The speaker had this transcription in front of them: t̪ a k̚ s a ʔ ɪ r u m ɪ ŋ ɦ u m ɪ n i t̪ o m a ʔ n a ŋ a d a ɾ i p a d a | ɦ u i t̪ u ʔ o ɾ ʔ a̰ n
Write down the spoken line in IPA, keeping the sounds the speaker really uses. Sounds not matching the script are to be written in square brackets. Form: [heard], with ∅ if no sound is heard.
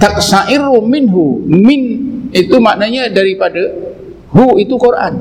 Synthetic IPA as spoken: t̪ a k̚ s a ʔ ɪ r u m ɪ [n] ɦ u m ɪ n i t̪ [u] m a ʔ n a [ɲ] a d a ɾ i p a d a | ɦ u i t̪ u [k] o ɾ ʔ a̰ n